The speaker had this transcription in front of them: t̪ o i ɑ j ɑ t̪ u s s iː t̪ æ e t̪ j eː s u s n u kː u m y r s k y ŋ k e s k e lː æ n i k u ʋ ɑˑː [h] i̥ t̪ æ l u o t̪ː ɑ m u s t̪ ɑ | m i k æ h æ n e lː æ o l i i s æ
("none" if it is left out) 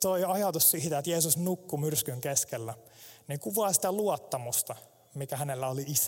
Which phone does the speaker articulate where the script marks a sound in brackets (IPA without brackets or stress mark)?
s